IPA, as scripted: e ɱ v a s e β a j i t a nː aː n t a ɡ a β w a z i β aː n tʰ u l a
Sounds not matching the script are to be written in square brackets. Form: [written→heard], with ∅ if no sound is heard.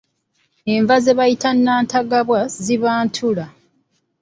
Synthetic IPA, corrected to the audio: e ɱ v a [s→z] e β a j i t a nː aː n t a ɡ a β w a z i β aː n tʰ u l a